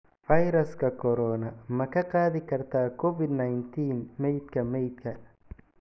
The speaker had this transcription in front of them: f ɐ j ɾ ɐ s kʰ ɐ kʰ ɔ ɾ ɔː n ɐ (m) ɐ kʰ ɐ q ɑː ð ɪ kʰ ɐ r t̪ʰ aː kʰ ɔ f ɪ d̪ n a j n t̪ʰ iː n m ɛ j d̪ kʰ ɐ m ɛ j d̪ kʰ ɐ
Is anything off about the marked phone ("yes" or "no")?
no